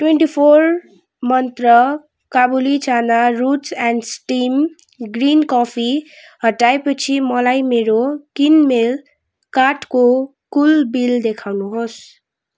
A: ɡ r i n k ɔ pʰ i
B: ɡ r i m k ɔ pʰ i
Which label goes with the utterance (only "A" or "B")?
A